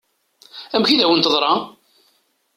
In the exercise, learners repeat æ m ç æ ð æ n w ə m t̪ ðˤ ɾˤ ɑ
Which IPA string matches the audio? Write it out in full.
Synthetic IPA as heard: æ m ç i ð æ w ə n t̪ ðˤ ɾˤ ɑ